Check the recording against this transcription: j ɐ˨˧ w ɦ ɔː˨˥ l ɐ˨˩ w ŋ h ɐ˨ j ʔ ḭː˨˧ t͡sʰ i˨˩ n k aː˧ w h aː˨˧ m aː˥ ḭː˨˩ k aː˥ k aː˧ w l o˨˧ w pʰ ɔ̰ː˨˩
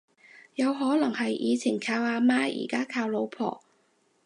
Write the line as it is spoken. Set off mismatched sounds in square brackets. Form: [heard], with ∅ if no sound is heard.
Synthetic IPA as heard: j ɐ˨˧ w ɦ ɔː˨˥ l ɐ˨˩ [∅] ŋ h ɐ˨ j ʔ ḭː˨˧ t͡sʰ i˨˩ n [kʰ] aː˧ w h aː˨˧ m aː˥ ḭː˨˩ k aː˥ [kʰ] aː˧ w l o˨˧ w pʰ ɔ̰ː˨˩